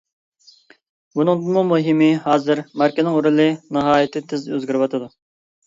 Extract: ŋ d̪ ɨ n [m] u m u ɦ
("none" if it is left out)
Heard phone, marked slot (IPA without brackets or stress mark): m